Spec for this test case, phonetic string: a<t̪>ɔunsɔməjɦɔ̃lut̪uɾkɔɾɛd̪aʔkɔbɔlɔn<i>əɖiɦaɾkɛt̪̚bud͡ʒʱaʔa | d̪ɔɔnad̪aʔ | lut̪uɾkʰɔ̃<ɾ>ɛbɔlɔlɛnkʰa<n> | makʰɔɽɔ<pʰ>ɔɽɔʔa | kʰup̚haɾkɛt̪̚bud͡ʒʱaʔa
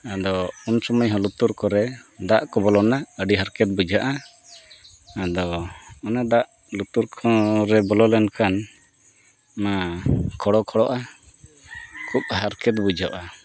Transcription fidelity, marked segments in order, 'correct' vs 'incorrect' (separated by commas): incorrect, incorrect, correct, correct, incorrect